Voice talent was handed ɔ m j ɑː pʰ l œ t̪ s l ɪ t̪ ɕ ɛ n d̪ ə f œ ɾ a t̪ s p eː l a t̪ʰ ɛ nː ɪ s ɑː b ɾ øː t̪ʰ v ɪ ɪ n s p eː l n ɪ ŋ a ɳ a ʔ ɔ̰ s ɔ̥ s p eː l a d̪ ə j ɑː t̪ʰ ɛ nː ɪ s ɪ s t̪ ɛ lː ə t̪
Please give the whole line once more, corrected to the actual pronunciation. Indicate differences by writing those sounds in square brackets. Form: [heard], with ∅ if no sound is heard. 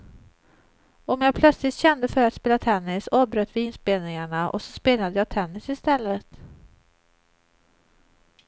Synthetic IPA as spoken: ɔ m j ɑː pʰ l œ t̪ s l ɪ t̪ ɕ ɛ n d̪ ə f œ ɾ a t̪ s p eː l a t̪ʰ ɛ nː ɪ s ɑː b ɾ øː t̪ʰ v ɪ ɪ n s p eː l n ɪ ŋ a ɳ a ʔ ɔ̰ s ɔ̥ s p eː l a d̪ ə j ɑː t̪ʰ ɛ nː ɪ s ɪ s t̪ ɛ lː ə t̪

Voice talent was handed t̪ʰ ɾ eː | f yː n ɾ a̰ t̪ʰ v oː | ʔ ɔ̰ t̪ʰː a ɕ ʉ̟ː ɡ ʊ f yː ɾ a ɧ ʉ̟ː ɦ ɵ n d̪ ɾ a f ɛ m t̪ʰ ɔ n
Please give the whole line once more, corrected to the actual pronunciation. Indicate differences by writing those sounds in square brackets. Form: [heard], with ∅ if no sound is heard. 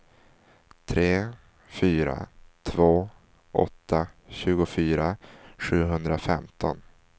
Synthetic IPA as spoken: t̪ʰ ɾ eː | f yː [∅] ɾ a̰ t̪ʰ v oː | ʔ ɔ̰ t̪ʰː a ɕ ʉ̟ː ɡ ʊ f yː ɾ a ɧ ʉ̟ː ɦ ɵ n d̪ ɾ a f ɛ m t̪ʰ ɔ n

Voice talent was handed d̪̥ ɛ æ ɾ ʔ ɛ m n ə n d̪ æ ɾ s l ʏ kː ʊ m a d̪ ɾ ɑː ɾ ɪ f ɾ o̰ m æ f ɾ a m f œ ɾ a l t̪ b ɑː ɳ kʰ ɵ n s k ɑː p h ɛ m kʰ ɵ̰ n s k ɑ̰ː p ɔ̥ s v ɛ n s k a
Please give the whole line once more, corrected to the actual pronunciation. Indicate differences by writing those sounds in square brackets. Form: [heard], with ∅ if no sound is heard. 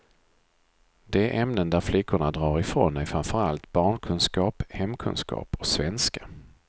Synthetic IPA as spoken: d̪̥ ɛ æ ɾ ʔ ɛ m n ə n d̪ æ ɾ [f] l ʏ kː ʊ [ɳ] a d̪ ɾ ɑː ɾ ɪ f ɾ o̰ [n] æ f ɾ a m f œ ɾ a l t̪ b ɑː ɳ kʰ ɵ n s k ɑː p h ɛ m kʰ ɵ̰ n s k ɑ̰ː p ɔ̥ s v ɛ n s k a

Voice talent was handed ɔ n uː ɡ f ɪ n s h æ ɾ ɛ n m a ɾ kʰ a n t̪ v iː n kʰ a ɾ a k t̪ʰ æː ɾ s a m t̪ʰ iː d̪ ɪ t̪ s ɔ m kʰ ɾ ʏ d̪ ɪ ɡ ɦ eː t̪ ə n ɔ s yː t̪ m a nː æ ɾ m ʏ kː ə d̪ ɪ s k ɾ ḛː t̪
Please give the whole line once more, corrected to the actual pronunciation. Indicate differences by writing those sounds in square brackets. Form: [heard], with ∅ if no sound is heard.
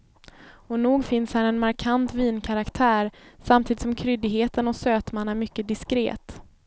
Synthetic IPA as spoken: ɔ n uː ɡ f ɪ n s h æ ɾ ɛ n m a ɾ kʰ a n t̪ v iː n kʰ a ɾ a k t̪ʰ æː ɾ s a m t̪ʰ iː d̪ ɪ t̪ s ɔ m kʰ ɾ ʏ d̪ ɪ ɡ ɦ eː t̪ ə n ɔ s [øː] t̪ m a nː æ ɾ m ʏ kː ə d̪ ɪ s k ɾ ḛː t̪

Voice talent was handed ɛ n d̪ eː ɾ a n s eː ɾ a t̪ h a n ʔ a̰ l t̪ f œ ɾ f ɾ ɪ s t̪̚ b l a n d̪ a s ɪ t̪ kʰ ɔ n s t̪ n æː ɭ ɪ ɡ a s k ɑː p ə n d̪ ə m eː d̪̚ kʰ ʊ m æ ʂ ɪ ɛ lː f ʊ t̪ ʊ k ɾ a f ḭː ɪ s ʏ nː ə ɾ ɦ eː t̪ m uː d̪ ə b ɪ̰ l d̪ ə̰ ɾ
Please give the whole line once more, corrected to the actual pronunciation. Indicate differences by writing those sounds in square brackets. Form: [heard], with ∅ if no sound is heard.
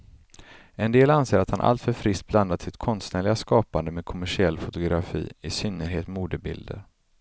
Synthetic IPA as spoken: ɛ n d̪ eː [l] a n s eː ɾ a t̪ h a n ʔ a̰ l t̪ f œ ɾ f ɾ ɪ s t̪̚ b l a n d̪ a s ɪ t̪ kʰ ɔ n s t̪ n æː ɭ ɪ ɡ a s k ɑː p [a] n d̪ ə m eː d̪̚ kʰ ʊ m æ ʂ ɪ ɛ lː f ʊ t̪ ʊ [ɡ] ɾ a f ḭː ɪ s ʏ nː ə ɾ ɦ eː t̪ m uː d̪ ə b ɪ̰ l d̪ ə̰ ɾ

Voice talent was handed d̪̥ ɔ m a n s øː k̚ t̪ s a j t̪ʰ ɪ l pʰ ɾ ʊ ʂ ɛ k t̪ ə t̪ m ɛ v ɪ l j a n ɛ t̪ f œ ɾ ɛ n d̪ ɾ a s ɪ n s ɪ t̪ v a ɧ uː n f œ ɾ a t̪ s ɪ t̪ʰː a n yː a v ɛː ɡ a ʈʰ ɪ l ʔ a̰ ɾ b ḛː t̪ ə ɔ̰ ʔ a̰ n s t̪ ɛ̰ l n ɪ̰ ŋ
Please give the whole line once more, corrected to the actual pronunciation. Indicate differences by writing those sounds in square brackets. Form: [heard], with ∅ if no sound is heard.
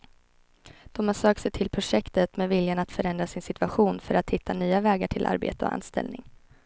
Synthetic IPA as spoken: d̪̥ ɔ m a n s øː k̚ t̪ s [ɛ] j t̪ʰ ɪ l pʰ ɾ ʊ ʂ ɛ k t̪ ə t̪ m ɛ v ɪ l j a n [a] t̪ f œ ɾ ɛ n d̪ ɾ a s ɪ n s ɪ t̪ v a ɧ uː n f œ ɾ a t̪ [h] ɪ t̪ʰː a n yː a v ɛː ɡ a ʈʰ ɪ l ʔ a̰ ɾ b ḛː t̪ ə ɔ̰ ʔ a̰ n s t̪ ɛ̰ l n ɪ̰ ŋ

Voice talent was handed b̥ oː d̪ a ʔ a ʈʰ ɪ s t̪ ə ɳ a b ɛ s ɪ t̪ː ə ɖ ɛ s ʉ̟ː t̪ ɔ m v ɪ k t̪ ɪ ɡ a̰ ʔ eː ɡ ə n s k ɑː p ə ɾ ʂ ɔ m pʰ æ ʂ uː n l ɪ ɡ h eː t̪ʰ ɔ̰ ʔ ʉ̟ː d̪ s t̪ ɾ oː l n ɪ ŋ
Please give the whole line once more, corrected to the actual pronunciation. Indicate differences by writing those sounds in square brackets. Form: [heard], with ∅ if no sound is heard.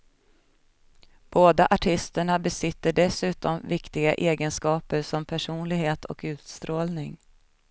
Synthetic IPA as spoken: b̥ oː d̪ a ʔ a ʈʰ ɪ s t̪ ə ɳ a b ɛ s ɪ t̪ː ə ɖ ɛ s ʉ̟ː t̪ ɔ m v ɪ k t̪ ɪ ɡ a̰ ʔ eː ɡ ə n s k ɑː p ə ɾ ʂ ɔ m pʰ æ ʂ uː n l ɪ ɡ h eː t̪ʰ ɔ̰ [k] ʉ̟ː [t̪] s t̪ ɾ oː l n ɪ ŋ

